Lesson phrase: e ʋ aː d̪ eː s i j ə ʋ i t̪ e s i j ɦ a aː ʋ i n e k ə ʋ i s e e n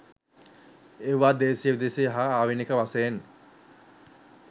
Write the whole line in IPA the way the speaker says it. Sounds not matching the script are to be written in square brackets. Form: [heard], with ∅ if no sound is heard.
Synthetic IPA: e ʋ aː d̪ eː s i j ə ʋ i [d̪] e s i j ɦ a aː ʋ i n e k ə ʋ [a] s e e n

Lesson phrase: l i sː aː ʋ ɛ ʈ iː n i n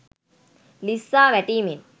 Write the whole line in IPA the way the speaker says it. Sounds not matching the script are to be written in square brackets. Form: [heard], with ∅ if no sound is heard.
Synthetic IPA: l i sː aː ʋ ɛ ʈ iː [m] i n

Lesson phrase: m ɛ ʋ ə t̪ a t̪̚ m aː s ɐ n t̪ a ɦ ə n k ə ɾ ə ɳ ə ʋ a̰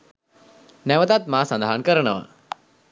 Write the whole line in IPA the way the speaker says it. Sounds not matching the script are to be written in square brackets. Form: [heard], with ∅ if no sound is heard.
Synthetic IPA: [n] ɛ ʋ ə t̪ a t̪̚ m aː s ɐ n [d̪] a ɦ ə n k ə ɾ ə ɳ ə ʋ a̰

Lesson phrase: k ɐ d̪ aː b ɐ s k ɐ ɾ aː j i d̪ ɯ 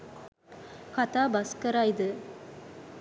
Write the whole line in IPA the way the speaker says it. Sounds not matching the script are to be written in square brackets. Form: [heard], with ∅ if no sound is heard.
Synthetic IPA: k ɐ [t̪] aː b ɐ s k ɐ ɾ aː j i d̪ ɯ

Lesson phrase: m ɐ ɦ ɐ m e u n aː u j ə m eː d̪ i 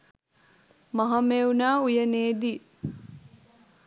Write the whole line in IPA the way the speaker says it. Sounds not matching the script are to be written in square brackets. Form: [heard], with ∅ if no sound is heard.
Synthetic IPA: m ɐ ɦ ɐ m e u n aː u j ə [n] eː d̪ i

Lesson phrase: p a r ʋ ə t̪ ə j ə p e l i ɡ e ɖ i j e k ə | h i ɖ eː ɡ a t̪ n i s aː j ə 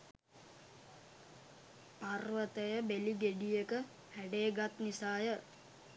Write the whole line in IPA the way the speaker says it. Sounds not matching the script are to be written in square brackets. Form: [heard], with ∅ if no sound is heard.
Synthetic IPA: p a r ʋ ə t̪ ə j ə [b] e l i ɡ e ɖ i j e k ə | h [æ] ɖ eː ɡ a t̪ n i s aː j ə

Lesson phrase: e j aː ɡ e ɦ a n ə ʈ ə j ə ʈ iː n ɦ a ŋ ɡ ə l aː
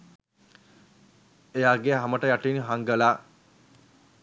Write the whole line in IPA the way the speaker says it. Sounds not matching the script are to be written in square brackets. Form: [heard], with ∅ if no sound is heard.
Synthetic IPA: e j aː ɡ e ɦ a [m] ə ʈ ə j [a] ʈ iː n ɦ a ŋ ɡ ə l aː

